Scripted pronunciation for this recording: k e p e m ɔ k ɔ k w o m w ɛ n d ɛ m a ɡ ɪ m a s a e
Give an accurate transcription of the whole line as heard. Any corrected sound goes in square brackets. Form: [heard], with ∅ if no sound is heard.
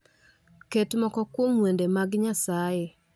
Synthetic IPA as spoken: k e [t] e m ɔ k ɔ k w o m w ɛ n d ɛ m a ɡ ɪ [ɲ] a s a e